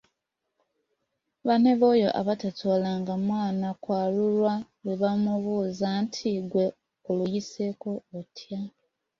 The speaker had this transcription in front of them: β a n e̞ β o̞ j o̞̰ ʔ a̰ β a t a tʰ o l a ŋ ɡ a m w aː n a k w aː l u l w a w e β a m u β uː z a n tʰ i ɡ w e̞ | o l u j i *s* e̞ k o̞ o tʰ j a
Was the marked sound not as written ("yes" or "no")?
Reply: no